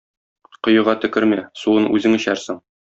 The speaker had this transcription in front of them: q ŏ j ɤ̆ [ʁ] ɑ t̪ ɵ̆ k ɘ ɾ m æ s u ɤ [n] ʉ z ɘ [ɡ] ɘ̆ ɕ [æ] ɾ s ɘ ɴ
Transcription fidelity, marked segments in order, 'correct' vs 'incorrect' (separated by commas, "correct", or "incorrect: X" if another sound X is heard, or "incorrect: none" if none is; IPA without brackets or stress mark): correct, correct, incorrect: ŋ, correct